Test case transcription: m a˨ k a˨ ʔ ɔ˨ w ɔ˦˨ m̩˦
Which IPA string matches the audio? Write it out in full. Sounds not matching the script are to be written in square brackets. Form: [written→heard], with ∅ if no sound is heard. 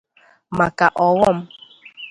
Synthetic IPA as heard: m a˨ k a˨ ʔ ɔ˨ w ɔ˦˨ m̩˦

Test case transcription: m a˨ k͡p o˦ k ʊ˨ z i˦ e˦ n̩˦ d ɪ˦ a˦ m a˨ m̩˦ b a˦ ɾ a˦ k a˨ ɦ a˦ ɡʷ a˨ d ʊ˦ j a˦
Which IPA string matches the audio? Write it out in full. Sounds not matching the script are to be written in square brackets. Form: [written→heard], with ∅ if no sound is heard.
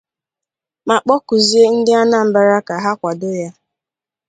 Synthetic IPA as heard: m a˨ k͡p [o˦→ɔ˦] k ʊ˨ z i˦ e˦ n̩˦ d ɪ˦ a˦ [m→n] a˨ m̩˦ b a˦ ɾ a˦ k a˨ ɦ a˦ [ɡʷ→kʷ] a˨ d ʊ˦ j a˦

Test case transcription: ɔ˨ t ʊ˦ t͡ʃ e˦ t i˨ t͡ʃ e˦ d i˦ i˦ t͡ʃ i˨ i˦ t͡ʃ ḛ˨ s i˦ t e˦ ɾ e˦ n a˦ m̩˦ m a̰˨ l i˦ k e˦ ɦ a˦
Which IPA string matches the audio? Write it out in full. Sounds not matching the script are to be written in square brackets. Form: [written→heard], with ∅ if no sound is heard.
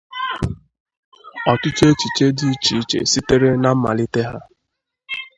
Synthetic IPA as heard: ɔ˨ t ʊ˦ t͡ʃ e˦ [t→t͡ʃ] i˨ t͡ʃ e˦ d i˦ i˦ t͡ʃ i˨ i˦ t͡ʃ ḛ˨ s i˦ t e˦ ɾ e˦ n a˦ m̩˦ m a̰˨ l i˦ [k→t] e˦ ɦ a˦

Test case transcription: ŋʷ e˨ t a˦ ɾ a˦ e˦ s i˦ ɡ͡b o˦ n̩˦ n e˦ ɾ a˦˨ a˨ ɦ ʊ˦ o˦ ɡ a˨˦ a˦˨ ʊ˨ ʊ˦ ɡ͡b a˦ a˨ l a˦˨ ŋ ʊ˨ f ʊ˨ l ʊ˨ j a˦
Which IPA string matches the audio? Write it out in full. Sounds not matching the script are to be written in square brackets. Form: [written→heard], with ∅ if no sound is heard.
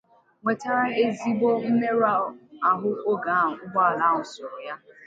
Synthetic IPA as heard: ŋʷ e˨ t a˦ ɾ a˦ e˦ [s→z] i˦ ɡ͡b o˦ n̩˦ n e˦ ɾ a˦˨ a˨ ɦ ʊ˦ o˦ ɡ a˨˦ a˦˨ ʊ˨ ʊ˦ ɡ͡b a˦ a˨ l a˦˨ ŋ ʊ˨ [f→s] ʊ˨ [l→ɾ] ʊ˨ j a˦

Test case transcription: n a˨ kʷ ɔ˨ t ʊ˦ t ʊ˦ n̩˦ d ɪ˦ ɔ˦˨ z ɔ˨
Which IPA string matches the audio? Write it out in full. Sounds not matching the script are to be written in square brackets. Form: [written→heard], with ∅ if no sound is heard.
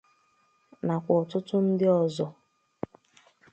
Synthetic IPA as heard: n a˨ kʷ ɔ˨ t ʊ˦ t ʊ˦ n̩˦ d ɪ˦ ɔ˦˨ z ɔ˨

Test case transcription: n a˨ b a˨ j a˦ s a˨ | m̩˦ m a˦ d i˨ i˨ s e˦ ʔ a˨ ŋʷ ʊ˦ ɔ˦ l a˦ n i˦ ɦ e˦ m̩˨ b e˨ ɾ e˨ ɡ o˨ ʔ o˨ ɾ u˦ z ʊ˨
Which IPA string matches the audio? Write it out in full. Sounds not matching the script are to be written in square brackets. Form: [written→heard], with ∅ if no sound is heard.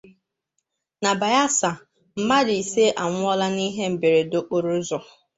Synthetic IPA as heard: n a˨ b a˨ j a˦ s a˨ | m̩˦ m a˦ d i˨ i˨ s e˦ ʔ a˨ ŋʷ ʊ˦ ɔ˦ l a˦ n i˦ ɦ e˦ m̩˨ b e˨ ɾ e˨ [ɡ→d] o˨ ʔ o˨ ɾ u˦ z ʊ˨

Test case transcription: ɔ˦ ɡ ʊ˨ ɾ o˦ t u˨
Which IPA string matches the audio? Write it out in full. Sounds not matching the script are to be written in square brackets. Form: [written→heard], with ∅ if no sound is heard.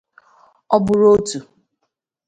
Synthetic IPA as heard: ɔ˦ [ɡ→b] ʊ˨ ɾ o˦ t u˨

